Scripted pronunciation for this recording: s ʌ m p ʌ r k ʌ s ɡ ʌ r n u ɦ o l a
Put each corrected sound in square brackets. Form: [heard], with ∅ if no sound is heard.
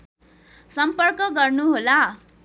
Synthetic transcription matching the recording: s ʌ m p ʌ r k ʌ [∅] ɡ ʌ r n u ɦ o l a